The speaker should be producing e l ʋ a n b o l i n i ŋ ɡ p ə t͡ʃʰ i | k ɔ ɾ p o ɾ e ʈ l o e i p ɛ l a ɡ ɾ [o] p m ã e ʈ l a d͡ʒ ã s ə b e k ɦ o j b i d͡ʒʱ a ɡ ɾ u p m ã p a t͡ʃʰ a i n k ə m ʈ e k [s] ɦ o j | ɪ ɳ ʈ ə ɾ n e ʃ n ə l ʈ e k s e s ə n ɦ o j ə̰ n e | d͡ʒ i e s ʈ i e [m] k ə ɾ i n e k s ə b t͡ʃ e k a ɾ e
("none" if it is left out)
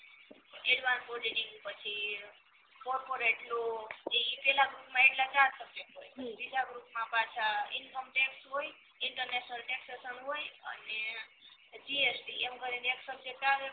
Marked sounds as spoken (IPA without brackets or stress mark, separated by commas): u, s, m